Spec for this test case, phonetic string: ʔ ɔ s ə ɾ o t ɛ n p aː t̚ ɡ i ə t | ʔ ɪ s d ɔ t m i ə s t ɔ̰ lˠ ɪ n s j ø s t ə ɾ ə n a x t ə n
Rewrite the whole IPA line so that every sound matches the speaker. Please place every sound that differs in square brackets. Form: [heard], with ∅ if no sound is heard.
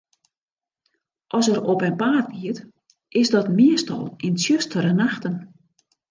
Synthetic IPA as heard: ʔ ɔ s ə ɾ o [p] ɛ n p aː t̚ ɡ i ə t | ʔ ɪ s d ɔ t m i ə s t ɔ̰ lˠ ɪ n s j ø s t ə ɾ ə n a x t ə n